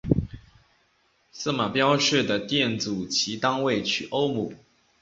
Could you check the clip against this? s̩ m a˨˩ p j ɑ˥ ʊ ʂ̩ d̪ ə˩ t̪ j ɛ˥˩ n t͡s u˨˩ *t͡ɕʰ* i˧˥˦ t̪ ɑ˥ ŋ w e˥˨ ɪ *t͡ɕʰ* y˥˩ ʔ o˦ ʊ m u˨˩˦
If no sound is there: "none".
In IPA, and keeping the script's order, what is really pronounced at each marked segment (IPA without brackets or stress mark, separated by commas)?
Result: t͡ɕʰ, t͡ɕʰ